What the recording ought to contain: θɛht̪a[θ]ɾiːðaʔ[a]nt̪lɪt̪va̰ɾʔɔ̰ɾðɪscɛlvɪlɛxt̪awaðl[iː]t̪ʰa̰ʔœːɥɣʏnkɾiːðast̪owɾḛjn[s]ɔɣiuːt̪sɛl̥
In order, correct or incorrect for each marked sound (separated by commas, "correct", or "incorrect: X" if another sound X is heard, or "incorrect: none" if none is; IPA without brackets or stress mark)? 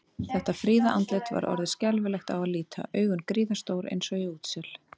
incorrect: f, correct, correct, correct